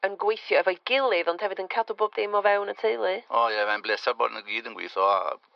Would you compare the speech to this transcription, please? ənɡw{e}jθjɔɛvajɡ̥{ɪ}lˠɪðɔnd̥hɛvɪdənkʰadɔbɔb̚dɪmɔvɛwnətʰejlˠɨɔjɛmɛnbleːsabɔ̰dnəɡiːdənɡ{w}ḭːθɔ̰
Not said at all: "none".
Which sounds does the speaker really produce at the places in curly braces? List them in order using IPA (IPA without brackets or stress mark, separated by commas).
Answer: e, ɪ, w